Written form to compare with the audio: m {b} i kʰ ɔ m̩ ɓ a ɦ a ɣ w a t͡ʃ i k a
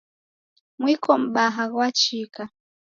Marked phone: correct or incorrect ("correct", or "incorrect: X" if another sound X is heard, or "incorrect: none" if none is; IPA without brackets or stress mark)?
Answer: incorrect: w